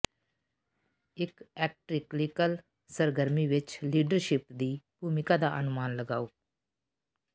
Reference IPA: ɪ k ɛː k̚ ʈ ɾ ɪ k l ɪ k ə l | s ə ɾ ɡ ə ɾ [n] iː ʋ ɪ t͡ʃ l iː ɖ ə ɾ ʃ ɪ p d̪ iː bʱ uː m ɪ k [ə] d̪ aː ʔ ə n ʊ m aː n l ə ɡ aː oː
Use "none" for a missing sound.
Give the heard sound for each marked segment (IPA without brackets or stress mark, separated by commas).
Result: m, a